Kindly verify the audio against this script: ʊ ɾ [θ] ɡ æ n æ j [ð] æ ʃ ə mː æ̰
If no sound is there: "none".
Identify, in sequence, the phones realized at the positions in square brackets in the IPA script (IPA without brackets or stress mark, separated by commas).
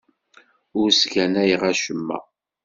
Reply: s, ʁ